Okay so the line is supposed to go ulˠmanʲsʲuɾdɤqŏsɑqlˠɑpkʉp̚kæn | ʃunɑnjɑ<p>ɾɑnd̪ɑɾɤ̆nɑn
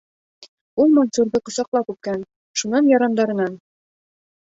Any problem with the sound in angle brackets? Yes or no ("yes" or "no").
yes